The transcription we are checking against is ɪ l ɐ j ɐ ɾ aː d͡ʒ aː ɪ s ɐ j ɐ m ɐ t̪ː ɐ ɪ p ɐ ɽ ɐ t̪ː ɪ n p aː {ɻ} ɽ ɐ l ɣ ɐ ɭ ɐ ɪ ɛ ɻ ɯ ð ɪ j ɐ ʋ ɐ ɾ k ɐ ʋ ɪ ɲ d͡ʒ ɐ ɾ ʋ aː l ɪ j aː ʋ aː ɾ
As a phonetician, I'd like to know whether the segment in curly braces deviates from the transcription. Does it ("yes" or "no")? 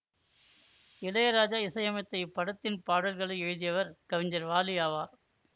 yes